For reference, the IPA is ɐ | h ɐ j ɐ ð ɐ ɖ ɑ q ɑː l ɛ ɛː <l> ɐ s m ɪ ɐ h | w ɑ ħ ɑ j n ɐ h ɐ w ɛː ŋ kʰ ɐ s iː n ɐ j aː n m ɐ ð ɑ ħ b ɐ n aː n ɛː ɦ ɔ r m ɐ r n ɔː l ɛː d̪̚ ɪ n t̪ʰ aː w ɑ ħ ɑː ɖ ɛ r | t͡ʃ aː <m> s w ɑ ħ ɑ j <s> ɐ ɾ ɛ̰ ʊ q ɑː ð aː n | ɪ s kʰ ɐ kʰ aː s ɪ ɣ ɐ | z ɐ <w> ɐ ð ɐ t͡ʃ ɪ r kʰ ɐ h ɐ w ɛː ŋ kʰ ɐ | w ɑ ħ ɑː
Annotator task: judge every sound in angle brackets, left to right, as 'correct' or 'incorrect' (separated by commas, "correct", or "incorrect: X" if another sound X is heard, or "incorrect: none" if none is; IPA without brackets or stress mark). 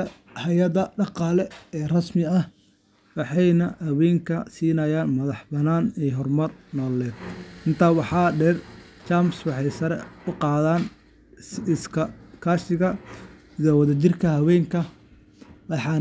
incorrect: r, correct, correct, correct